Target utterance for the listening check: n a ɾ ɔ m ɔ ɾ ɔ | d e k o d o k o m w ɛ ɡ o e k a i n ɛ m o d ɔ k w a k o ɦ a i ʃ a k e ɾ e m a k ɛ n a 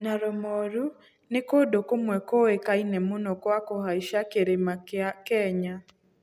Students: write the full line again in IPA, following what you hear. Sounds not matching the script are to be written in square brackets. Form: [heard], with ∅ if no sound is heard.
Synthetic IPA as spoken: n a ɾ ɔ m ɔ ɾ [u] | [n] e k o d o k o m w ɛ [k] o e k a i n ɛ m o [n] ɔ k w a k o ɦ a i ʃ a k e ɾ e m a k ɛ [ɲ] a